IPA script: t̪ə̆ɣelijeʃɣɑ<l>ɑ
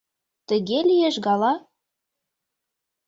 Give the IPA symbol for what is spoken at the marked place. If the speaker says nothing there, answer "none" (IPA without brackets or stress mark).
l